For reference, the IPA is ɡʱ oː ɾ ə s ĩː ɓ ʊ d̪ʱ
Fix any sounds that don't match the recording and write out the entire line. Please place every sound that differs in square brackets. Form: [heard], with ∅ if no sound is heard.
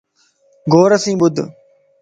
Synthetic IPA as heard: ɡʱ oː ɾ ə s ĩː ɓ ʊ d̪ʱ